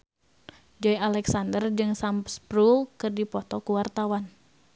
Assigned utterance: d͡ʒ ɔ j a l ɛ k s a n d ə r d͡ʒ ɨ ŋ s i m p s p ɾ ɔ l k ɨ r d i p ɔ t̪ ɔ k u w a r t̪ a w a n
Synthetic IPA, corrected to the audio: d͡ʒ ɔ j a l ɛ k s a n d ə r d͡ʒ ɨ ŋ s a m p s p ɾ u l k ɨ r d i p ɔ t̪ ɔ k u w a r t̪ a w a n